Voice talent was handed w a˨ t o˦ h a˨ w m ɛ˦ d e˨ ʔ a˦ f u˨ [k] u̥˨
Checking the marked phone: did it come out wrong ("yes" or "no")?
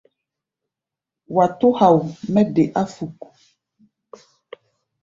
no